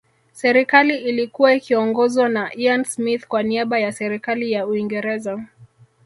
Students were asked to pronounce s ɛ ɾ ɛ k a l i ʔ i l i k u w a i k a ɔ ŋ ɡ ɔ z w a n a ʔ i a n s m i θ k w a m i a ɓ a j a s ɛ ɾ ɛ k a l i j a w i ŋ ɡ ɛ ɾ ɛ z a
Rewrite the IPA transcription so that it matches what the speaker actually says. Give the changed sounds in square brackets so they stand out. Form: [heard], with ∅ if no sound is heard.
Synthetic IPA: s ɛ ɾ [i] k a l i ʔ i l i k u w a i k [i] ɔ ŋ ɡ ɔ z w a n a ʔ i a n s m i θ k w a [n] i a ɓ a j a s ɛ ɾ [i] k a l i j a [u] i ŋ ɡ ɛ ɾ ɛ z a